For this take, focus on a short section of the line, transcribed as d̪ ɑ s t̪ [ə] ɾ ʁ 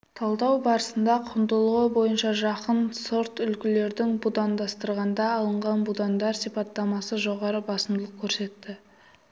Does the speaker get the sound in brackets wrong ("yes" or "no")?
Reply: no